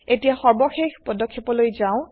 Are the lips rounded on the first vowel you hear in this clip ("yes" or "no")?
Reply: no